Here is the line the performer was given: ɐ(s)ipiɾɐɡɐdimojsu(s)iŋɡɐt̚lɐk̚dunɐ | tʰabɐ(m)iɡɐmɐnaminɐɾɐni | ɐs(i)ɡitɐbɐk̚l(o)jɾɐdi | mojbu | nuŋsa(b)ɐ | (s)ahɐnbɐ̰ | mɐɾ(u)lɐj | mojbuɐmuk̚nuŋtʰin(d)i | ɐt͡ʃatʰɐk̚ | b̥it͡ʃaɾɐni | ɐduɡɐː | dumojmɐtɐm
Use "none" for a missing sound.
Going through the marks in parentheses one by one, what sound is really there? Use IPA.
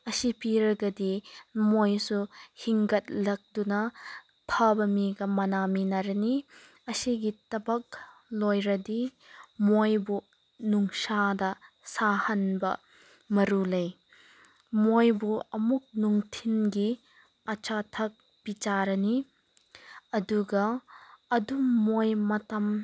s, h, m, i, o, d, s, u, ɡ

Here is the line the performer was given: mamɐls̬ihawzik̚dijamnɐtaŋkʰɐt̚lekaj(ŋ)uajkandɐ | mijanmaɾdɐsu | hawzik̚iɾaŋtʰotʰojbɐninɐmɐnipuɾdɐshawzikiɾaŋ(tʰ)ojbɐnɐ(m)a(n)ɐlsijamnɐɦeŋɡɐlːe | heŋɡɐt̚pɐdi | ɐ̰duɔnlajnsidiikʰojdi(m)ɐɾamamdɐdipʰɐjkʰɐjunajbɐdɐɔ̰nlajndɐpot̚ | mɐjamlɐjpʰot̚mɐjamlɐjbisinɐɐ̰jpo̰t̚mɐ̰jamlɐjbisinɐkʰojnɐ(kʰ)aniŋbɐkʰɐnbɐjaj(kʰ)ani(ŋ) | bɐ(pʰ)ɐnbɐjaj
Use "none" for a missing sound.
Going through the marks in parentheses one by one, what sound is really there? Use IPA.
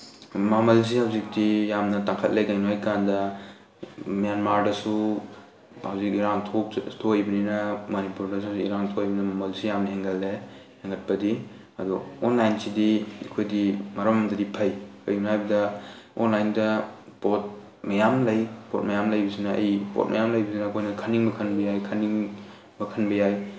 n, tʰ, m, m, m, kʰ, kʰ, ŋ, kʰ

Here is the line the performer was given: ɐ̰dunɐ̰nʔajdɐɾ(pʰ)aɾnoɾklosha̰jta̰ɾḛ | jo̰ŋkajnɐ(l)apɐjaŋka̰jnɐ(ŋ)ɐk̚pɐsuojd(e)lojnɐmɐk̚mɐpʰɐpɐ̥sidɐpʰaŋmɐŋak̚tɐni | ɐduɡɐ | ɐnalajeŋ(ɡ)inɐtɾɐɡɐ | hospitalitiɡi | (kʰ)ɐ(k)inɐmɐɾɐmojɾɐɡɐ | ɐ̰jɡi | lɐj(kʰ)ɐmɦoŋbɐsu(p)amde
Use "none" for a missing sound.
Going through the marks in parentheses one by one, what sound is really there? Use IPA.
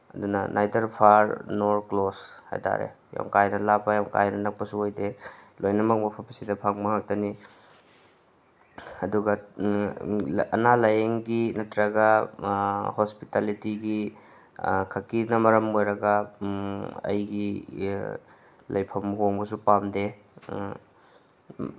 pʰ, l, n, e, ɡ, kʰ, k, pʰ, p

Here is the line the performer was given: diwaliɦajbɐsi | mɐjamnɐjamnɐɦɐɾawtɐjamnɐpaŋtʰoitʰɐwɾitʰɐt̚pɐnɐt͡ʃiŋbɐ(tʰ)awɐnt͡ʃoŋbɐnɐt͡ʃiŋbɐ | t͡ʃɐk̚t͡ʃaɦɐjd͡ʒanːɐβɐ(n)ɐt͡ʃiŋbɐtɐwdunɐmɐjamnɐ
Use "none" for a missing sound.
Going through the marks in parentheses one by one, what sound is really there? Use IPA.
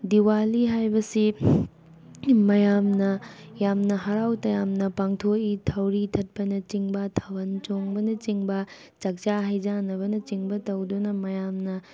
tʰ, n

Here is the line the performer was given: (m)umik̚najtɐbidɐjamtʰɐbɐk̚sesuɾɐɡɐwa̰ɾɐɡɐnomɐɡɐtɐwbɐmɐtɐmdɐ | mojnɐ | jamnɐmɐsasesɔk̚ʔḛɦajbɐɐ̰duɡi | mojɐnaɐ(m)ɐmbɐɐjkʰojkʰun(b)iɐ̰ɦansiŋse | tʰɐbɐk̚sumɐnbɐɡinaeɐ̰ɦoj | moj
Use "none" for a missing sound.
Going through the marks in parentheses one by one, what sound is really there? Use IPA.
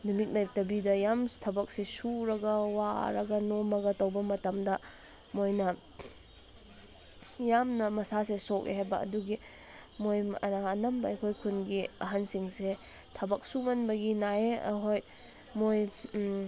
n, n, ɡ

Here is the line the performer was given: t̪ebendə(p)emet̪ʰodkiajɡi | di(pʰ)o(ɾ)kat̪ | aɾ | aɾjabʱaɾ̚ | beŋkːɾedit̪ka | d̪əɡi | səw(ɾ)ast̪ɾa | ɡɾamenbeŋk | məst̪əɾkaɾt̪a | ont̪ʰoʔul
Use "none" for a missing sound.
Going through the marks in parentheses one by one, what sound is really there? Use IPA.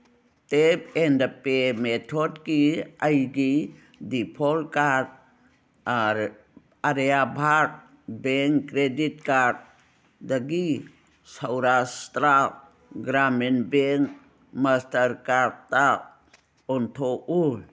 p, pʰ, l, ɾ

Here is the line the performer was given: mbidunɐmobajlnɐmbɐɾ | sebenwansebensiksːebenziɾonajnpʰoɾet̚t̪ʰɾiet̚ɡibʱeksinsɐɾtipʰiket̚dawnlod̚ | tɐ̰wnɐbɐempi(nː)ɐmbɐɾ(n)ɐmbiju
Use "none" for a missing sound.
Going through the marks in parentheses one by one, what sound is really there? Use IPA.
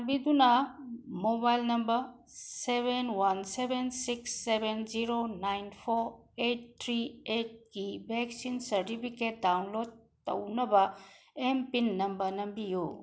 nː, n

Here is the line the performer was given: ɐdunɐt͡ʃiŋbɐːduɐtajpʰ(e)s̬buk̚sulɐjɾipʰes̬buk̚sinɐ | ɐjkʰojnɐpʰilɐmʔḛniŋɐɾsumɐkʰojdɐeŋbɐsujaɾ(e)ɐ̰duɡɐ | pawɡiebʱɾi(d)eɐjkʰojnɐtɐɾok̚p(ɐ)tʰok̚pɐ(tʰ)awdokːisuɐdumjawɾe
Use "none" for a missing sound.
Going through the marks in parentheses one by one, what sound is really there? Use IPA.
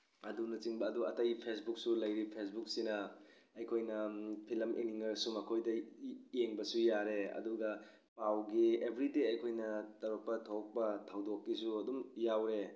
e, e, d, ɐ, tʰ

